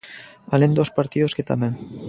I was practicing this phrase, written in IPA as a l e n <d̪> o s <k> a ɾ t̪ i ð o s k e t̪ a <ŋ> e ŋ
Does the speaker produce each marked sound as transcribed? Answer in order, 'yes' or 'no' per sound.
yes, no, no

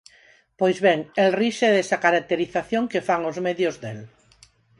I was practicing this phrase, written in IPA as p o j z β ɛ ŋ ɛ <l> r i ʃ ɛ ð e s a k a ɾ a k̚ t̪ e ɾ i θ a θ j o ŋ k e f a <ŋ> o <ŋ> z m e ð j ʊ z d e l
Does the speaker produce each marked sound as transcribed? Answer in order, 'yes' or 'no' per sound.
yes, yes, no

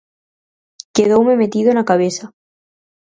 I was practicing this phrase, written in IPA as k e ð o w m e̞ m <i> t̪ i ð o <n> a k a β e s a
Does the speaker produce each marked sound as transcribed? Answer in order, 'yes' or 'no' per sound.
no, yes

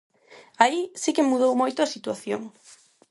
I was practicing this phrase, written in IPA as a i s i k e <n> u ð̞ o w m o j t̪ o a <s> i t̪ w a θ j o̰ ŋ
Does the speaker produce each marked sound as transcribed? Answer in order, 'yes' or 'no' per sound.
no, yes

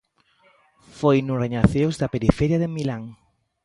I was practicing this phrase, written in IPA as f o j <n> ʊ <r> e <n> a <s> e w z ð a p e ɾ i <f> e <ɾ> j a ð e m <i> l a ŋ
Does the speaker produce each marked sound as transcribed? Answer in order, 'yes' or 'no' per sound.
yes, yes, no, no, yes, yes, yes

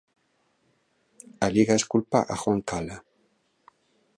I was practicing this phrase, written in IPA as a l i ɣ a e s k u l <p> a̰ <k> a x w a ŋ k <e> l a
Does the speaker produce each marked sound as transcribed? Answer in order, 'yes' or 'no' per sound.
yes, no, no

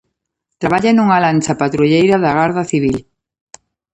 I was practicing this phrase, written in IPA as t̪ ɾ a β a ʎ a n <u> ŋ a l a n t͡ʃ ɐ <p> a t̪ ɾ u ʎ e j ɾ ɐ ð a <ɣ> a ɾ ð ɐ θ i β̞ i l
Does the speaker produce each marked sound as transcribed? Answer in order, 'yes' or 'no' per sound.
yes, yes, yes

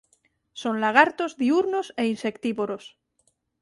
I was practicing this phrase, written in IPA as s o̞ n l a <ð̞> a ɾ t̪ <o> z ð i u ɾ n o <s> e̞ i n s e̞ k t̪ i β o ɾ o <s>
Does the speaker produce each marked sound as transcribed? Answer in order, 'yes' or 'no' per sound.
no, yes, yes, yes

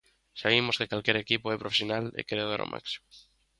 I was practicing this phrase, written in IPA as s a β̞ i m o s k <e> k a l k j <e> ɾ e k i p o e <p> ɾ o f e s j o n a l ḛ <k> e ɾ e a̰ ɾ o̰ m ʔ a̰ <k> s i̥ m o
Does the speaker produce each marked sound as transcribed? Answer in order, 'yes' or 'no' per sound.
yes, yes, yes, yes, yes

